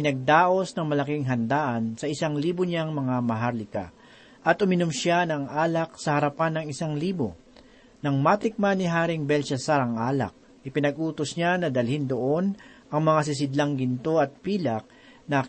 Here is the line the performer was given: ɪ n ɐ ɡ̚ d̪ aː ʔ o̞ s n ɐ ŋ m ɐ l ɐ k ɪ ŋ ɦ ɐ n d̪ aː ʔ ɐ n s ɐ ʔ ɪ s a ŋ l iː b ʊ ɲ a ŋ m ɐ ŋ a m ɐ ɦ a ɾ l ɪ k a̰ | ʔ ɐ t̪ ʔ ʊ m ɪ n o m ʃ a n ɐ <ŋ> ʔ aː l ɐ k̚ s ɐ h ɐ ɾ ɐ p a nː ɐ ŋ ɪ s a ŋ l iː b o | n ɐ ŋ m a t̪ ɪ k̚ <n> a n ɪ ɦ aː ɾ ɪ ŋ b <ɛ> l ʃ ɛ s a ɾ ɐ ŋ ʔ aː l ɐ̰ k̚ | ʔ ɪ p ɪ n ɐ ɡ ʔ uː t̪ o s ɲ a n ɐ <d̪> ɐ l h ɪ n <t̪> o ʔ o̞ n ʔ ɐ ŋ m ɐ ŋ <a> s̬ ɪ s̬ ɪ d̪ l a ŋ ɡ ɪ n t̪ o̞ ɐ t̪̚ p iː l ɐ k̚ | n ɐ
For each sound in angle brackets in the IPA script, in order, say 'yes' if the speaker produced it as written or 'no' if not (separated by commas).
yes, no, yes, yes, no, yes